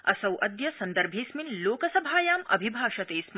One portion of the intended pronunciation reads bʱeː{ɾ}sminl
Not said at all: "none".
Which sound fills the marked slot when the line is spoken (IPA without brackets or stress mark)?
none